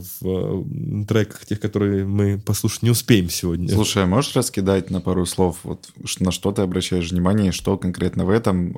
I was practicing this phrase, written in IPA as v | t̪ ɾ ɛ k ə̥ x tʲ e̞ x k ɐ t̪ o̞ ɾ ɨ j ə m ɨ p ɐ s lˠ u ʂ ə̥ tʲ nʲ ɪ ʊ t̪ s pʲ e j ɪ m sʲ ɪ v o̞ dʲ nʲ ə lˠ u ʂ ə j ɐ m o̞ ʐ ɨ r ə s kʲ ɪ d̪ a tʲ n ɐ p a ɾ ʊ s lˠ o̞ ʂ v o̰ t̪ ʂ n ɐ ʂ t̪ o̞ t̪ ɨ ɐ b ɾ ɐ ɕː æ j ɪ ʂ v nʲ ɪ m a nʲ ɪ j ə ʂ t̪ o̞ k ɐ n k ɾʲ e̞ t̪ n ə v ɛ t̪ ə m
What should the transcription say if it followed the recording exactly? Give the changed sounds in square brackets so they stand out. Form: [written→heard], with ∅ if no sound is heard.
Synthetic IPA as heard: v | t̪ ɾ ɛ k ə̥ x tʲ e̞ x k ɐ t̪ o̞ ɾ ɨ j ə m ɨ p ɐ s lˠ u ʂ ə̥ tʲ nʲ ɪ ʊ [t̪→∅] s pʲ e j ɪ m sʲ ɪ v o̞ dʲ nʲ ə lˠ u ʂ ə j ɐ m o̞ ʐ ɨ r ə s kʲ ɪ d̪ a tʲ n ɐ p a ɾ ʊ s lˠ o̞ [ʂ→f] v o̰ t̪ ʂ n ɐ ʂ t̪ o̞ t̪ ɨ ɐ b ɾ ɐ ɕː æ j ɪ ʂ v nʲ ɪ m a nʲ ɪ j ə ʂ t̪ o̞ k ɐ n k ɾʲ e̞ t̪ n ə v ɛ t̪ ə m